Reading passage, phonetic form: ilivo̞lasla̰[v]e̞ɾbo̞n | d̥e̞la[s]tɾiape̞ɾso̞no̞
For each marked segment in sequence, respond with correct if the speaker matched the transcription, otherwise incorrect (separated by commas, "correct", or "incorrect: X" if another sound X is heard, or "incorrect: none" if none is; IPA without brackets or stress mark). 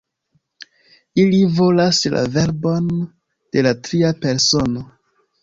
correct, incorrect: none